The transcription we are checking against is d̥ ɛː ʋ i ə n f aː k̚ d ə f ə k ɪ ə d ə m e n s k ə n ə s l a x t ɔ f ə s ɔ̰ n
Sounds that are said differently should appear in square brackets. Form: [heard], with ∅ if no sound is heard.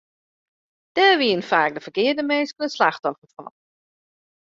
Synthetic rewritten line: d̥ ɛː ʋ i ə n f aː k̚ d ə f ə k ɪ ə d ə m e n s k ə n ə s l a x t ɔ f ə [f] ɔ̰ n